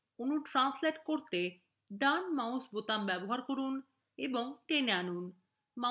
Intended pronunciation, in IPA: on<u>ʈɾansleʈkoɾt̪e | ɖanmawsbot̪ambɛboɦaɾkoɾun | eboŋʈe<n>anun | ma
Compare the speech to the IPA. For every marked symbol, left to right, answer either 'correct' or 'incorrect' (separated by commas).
correct, correct